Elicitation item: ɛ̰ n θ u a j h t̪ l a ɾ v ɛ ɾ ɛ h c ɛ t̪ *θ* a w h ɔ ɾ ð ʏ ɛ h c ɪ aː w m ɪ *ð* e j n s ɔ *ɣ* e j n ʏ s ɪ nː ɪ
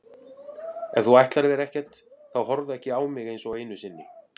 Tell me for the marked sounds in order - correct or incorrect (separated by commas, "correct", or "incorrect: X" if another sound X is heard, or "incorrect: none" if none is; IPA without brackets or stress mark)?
correct, incorrect: ɣ, correct